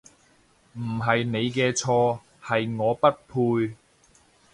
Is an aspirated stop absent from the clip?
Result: no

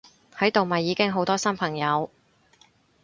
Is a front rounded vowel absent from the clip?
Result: yes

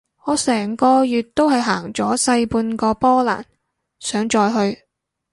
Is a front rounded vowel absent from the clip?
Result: no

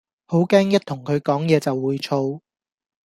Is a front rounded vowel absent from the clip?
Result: yes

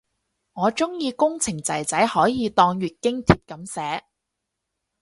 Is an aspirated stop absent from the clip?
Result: no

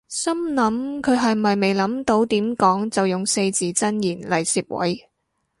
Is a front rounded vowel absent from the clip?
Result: yes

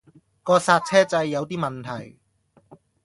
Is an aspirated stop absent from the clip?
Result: no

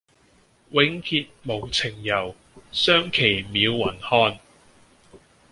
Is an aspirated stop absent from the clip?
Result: no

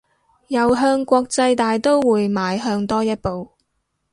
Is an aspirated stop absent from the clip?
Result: yes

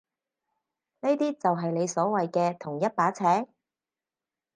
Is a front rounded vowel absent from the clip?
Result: yes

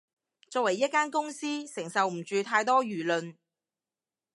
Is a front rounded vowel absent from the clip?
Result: no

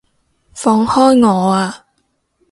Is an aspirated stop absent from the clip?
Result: yes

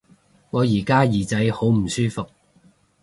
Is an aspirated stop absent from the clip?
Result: yes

